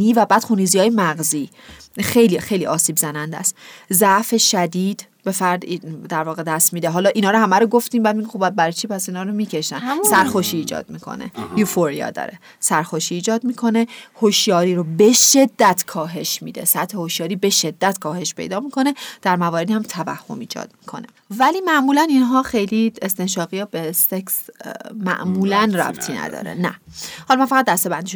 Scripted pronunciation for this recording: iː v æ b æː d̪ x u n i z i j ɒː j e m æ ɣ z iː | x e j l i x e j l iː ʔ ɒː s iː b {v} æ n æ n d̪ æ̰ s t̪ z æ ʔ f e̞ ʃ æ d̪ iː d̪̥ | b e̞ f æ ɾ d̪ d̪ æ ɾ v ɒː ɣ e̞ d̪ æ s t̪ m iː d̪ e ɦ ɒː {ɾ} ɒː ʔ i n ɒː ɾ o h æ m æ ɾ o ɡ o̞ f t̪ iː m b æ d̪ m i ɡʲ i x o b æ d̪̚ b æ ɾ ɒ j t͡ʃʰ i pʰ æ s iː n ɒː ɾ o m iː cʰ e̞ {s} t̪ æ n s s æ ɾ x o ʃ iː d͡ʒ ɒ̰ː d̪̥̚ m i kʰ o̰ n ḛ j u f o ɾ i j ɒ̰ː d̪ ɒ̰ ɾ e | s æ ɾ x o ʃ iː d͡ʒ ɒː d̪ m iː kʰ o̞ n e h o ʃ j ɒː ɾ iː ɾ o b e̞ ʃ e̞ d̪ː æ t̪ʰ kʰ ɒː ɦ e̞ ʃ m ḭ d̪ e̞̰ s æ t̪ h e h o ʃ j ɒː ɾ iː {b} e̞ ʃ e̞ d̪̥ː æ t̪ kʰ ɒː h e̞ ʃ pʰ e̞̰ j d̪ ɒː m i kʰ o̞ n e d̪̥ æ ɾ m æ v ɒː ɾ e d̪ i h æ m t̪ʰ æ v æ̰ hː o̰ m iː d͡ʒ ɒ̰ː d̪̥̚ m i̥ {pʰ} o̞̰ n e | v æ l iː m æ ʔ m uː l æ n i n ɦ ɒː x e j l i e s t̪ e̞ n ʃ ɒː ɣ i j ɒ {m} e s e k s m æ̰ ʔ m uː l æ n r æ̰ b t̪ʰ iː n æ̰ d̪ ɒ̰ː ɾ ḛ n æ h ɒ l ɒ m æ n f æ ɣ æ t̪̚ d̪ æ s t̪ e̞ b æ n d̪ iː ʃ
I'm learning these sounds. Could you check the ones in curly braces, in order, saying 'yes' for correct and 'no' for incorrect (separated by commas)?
no, no, no, yes, no, no